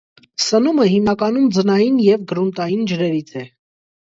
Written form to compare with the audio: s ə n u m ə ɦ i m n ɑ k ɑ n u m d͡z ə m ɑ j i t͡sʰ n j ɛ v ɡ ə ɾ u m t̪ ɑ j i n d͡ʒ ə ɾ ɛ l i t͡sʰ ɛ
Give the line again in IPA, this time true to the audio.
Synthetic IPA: s ə n u m ə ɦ i m n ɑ k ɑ n u m d͡z ə n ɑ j i n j ɛ v ɡ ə ɾ u n t̪ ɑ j i n d͡ʒ ə ɾ ɛ ɾ i t͡sʰ ɛ